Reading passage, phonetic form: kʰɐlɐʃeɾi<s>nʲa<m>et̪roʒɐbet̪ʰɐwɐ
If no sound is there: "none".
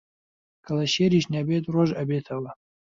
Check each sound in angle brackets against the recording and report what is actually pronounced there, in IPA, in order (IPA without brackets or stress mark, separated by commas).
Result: ʃ, b